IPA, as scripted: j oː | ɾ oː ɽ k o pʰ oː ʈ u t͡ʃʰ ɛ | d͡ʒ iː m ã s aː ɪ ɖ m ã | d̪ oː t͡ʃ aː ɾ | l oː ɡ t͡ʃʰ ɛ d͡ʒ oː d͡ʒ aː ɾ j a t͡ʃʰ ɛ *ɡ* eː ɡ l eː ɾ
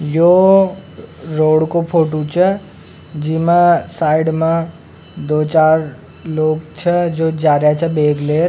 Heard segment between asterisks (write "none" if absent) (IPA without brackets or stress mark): b